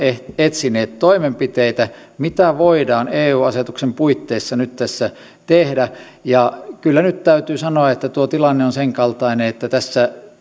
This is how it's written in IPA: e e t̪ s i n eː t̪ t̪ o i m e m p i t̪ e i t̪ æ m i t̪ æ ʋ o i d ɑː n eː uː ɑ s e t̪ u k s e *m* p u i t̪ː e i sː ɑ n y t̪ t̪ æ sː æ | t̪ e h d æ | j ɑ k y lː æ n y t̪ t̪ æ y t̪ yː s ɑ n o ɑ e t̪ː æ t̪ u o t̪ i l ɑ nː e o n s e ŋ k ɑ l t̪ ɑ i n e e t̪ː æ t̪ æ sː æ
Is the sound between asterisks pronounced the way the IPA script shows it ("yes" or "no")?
yes